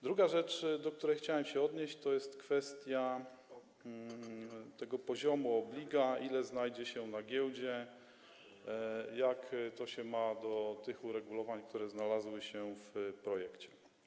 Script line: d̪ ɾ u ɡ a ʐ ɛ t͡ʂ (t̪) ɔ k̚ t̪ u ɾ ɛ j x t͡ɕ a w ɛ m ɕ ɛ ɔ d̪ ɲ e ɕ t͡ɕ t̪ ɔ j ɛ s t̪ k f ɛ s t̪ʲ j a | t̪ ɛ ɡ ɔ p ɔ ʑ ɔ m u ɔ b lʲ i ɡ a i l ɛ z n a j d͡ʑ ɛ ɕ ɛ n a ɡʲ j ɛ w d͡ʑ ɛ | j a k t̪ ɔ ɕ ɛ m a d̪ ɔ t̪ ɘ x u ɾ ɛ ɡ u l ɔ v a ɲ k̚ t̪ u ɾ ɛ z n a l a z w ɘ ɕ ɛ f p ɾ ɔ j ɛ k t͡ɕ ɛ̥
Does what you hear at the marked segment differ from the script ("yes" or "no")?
yes